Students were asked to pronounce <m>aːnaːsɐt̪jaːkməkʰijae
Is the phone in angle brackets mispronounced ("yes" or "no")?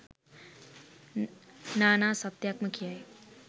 yes